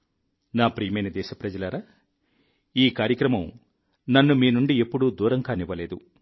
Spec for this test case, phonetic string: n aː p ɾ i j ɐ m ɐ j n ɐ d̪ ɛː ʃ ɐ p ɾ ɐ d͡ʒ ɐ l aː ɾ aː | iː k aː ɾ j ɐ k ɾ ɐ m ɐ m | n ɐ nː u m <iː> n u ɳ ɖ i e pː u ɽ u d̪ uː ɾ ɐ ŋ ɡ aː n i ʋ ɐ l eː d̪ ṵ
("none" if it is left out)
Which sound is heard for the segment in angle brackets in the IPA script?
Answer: iː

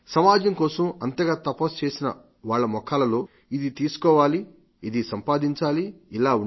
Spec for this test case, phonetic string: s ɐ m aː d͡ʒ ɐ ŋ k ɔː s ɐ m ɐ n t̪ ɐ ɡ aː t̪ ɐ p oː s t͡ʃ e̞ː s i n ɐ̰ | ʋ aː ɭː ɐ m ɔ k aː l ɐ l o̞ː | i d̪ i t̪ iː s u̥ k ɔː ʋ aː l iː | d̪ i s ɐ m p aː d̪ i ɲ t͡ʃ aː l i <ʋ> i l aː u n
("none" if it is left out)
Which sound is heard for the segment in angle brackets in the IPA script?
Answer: none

